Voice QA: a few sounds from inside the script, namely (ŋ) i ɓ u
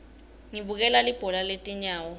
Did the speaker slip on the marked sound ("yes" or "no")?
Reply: no